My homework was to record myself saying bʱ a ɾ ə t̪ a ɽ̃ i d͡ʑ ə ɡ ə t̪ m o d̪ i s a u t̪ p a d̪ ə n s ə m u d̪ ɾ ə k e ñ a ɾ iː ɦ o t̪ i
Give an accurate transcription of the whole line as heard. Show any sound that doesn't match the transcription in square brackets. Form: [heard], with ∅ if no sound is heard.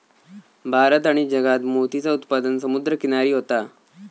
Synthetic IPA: bʱ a ɾ ə t̪ a ɽ̃ i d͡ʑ ə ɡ [a] t̪ m o [t̪] i [t͡s] a u t̪ p a d̪ ə n s ə m u d̪ ɾ ə k [i] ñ a ɾ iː ɦ o t̪ [a]